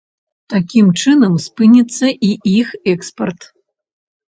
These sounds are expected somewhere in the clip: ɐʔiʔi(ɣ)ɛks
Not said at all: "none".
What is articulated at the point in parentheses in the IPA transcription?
x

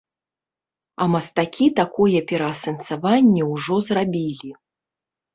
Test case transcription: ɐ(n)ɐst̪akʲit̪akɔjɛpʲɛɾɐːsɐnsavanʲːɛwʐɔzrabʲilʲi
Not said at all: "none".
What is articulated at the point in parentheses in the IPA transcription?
m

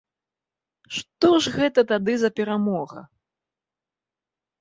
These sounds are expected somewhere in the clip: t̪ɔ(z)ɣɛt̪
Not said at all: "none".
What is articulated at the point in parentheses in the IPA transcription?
ʐ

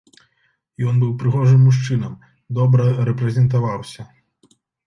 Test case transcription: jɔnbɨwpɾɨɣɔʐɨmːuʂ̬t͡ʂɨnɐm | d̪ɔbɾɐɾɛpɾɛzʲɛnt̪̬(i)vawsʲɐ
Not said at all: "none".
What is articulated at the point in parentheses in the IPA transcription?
a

